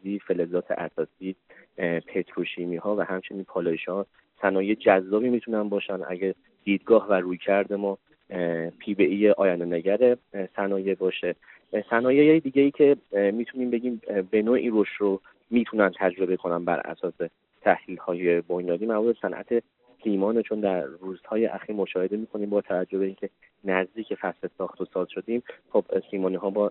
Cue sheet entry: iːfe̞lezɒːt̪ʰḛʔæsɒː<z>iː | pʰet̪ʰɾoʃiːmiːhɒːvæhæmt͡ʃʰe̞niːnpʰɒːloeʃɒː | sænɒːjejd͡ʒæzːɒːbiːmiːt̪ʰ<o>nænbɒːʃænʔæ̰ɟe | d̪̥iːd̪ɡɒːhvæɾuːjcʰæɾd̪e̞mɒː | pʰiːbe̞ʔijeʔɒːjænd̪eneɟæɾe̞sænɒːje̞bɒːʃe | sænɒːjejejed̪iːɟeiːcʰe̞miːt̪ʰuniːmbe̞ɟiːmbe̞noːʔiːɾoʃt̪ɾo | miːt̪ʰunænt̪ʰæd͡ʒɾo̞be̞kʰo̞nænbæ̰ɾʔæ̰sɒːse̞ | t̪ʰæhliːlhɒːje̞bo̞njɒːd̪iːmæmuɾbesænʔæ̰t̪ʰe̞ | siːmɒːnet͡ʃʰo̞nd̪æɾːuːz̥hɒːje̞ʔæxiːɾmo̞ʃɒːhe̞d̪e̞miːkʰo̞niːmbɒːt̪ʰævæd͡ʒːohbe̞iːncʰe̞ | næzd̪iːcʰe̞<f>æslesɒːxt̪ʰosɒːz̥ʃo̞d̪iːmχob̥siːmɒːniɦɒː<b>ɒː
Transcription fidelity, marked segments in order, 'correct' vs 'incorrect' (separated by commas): incorrect, incorrect, correct, correct